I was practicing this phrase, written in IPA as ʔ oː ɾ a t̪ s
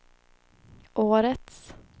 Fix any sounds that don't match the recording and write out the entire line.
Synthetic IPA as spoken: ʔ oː ɾ ə t̪ s